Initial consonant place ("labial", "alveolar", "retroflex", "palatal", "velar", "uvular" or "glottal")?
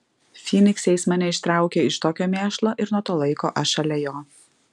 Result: labial